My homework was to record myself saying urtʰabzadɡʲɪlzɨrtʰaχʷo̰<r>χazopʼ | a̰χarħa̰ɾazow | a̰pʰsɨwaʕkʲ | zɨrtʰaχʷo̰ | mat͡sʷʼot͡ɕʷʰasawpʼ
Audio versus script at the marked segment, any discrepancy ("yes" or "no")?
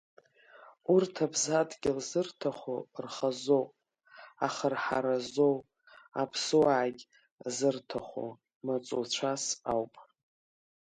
no